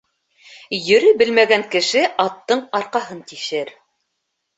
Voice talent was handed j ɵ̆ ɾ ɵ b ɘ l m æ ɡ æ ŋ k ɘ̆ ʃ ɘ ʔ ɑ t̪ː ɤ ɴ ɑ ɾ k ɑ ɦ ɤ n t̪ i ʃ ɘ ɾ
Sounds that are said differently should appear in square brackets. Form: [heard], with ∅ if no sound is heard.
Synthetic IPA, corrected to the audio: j ɵ̆ ɾ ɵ b ɘ l m æ ɡ æ ŋ k ɘ̆ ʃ ɘ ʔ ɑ t̪ː ɤ ɴ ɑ ɾ [q] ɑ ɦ ɤ n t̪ i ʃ ɘ ɾ